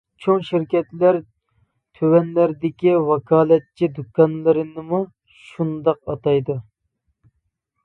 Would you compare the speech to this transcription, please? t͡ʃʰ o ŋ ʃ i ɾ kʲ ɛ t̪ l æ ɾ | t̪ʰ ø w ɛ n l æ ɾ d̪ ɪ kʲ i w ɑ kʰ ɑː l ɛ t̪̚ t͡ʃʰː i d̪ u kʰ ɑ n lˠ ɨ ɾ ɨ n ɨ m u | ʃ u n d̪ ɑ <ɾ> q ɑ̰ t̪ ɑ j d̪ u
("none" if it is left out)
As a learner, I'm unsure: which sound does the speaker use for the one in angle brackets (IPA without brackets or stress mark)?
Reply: none